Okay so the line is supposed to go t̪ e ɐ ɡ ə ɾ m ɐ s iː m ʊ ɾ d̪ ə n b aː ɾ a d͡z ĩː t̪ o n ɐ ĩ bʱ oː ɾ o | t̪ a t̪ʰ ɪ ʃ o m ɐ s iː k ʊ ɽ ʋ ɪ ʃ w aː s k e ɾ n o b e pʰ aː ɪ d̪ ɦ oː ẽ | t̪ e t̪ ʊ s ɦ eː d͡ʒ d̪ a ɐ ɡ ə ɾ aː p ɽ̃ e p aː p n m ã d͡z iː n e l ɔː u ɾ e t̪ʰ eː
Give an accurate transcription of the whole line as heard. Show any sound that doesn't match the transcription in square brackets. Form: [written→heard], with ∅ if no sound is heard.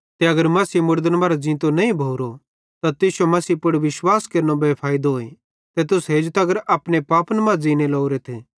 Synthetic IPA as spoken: t̪ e ɐ ɡ ə ɾ m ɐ s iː m ʊ ɾ d̪ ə n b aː ɾ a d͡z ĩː t̪ o n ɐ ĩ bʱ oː ɾ o | t̪ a [t̪ʰ→t̪] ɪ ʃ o m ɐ s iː [k→p] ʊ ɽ ʋ ɪ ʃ w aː s k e ɾ n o b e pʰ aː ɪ d̪ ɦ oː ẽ | t̪ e t̪ ʊ s ɦ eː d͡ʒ [d̪→t̪] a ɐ ɡ ə ɾ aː p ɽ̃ e p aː p n m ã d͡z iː n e l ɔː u ɾ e t̪ʰ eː